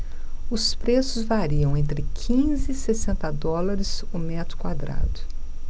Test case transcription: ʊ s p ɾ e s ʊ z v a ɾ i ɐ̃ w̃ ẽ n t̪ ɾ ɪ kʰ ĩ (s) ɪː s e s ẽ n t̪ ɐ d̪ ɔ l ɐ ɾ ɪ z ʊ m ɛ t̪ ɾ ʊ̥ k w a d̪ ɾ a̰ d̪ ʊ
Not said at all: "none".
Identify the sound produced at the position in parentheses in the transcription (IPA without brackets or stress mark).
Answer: z